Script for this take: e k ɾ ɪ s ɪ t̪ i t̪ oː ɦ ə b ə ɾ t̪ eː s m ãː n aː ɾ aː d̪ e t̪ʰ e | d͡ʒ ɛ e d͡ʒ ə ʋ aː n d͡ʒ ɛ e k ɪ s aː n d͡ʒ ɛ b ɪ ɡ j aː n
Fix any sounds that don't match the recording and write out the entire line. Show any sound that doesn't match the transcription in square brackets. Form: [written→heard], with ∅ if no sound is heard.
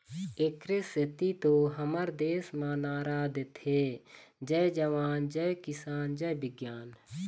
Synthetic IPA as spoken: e k ɾ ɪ s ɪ t̪ i t̪ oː ɦ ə [b→m] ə ɾ [t̪→d̪] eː s m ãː n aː ɾ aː d̪ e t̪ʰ e | d͡ʒ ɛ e d͡ʒ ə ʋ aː n d͡ʒ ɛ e k ɪ s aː n d͡ʒ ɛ b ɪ ɡ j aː n